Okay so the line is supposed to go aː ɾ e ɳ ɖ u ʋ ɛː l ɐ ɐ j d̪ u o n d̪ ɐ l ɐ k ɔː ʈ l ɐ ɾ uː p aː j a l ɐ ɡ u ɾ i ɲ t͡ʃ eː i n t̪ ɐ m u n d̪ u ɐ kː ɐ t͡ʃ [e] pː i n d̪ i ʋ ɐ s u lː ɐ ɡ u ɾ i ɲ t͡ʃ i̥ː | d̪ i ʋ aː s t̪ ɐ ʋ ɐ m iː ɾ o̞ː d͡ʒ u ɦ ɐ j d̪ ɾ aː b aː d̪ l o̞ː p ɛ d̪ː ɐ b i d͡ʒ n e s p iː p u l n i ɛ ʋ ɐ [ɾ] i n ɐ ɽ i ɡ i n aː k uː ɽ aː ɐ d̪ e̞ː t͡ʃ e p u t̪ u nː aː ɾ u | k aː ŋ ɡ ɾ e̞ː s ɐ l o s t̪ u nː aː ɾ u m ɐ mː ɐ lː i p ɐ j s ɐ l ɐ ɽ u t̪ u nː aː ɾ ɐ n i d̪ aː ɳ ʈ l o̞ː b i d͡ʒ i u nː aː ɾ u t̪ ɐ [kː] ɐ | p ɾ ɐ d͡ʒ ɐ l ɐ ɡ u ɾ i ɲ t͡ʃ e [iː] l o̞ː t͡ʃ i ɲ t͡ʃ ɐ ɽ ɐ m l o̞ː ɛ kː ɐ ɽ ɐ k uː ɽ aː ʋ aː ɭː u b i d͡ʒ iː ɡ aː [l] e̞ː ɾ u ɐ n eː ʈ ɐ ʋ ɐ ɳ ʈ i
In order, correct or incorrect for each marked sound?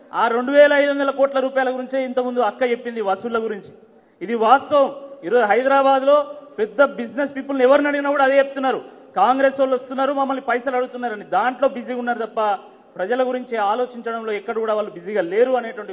correct, correct, incorrect: pː, incorrect: aː, correct

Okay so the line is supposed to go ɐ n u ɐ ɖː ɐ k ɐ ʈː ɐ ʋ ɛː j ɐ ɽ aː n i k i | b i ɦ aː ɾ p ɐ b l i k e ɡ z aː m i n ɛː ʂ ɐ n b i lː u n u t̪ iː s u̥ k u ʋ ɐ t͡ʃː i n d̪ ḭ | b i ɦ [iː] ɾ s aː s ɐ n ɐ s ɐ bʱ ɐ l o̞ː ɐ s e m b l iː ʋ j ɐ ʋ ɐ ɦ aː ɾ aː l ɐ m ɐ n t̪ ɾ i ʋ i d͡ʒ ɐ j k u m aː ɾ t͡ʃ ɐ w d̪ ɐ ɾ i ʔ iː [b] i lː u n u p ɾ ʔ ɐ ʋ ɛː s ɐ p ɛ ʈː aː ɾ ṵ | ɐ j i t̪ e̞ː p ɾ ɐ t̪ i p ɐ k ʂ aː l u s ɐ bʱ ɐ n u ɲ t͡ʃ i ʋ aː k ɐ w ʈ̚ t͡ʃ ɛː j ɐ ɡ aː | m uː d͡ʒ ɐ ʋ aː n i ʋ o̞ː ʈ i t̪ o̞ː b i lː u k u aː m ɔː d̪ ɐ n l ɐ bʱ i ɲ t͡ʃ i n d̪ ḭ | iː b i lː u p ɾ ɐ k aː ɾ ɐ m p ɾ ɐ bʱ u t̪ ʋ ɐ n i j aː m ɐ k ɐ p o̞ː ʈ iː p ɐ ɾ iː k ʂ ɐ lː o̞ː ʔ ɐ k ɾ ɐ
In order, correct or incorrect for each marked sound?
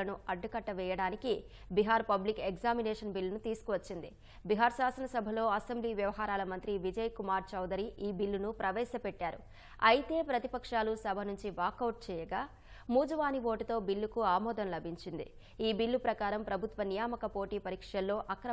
incorrect: aː, correct

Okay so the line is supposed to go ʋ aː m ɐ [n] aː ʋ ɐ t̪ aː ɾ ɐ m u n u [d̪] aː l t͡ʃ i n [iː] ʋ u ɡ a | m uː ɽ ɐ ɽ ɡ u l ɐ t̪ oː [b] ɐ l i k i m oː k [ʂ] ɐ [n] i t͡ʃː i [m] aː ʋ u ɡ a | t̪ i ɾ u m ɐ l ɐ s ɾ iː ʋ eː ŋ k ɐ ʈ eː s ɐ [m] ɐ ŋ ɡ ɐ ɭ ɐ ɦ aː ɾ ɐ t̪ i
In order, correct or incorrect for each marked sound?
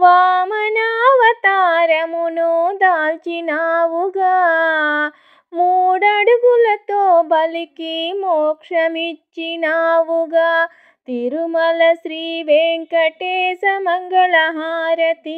correct, correct, incorrect: aː, correct, correct, incorrect: m, incorrect: n, correct

